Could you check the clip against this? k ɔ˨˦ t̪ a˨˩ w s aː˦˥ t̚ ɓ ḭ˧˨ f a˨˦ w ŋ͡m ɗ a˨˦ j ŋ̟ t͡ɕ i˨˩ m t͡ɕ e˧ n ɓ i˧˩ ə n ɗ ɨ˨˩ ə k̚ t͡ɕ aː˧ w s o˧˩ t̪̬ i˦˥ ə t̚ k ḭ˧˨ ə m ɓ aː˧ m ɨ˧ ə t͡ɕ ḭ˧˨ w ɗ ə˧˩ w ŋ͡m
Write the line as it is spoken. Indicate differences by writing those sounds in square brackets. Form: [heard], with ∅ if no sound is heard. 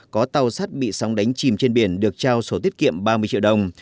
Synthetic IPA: k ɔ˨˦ t̪ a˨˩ w s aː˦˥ t̚ ɓ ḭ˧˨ [s] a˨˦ w ŋ͡m ɗ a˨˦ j ŋ̟ t͡ɕ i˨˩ m t͡ɕ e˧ n ɓ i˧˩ ə n ɗ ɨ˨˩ ə k̚ t͡ɕ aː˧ w s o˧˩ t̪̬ i˦˥ ə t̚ k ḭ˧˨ ə m ɓ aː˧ m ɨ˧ ə t͡ɕ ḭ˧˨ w ɗ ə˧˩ w ŋ͡m